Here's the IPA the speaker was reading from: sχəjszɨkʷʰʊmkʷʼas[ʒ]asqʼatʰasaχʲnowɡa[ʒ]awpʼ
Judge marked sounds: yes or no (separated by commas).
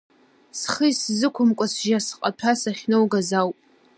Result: yes, no